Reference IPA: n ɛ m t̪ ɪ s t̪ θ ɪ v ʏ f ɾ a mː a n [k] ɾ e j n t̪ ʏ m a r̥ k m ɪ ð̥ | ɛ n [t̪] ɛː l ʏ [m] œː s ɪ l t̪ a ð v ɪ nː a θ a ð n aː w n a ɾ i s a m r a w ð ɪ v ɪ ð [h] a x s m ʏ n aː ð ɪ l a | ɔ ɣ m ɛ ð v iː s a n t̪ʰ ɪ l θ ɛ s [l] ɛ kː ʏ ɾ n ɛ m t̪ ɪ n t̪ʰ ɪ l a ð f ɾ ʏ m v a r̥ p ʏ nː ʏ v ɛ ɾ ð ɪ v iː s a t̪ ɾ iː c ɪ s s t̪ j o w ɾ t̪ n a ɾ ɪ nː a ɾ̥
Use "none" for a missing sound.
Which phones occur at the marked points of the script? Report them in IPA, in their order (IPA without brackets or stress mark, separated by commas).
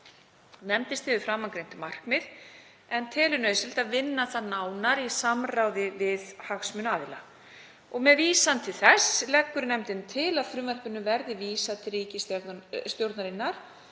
k, t̪ʰ, n, h, l